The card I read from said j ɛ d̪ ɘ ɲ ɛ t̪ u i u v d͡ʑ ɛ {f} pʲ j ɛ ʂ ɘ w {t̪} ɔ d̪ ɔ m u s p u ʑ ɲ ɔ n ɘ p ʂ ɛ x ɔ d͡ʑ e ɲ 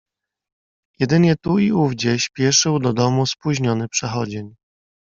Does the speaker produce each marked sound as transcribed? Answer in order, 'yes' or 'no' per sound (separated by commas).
no, no